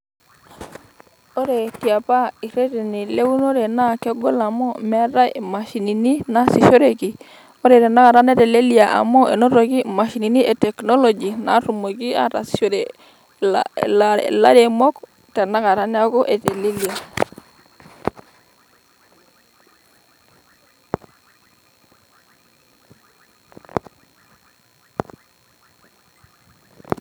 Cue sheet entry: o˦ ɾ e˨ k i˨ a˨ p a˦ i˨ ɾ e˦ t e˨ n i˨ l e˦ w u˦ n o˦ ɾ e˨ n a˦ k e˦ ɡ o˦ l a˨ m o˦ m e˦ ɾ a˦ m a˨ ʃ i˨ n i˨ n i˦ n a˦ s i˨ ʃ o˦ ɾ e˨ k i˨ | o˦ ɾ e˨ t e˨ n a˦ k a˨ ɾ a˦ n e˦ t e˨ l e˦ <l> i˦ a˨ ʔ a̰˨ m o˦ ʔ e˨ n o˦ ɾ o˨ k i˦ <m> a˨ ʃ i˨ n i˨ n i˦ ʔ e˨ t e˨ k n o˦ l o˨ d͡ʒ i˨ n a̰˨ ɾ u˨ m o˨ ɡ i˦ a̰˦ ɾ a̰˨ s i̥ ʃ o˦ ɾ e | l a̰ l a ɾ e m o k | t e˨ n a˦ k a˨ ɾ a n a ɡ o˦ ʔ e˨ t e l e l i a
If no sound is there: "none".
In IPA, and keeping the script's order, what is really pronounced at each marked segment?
l, m

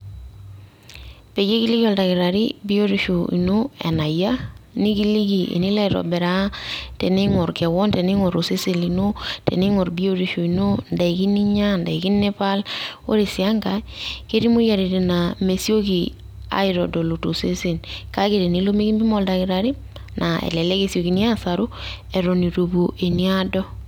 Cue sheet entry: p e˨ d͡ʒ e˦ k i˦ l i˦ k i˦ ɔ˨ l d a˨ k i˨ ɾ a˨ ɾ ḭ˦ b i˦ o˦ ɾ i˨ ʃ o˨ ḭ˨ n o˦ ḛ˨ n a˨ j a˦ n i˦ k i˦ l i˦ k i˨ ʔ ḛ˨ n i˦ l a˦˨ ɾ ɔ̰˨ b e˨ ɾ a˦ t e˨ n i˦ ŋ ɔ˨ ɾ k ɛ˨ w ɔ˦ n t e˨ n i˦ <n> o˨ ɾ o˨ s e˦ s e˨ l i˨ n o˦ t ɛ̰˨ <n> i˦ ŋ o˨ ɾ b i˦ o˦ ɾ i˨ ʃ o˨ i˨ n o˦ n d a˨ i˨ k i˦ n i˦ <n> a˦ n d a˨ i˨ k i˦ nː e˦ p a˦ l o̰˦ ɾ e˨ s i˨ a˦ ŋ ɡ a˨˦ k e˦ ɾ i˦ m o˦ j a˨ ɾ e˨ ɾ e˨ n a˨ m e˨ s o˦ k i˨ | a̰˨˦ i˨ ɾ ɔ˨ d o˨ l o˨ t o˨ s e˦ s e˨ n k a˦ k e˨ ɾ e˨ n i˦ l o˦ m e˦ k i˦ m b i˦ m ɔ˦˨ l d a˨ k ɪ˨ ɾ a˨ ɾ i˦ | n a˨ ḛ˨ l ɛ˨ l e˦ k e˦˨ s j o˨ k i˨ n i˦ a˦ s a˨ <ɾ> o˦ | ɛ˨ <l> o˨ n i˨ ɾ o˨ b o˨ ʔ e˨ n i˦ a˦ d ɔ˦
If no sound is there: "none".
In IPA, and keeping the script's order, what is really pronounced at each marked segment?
ŋ, n, ɲ, ɾ, ɾ

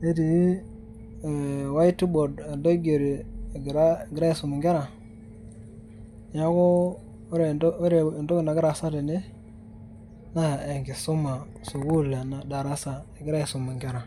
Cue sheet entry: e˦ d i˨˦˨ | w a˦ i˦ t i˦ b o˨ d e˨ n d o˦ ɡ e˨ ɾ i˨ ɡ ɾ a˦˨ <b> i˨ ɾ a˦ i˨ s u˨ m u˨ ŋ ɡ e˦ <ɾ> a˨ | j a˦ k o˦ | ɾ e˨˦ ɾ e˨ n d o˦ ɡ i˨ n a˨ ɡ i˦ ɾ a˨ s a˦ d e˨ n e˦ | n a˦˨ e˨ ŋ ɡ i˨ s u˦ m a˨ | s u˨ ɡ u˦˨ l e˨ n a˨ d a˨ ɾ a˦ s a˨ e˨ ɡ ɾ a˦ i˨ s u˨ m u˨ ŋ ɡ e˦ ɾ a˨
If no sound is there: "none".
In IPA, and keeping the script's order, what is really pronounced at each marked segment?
ɡ, ɾ

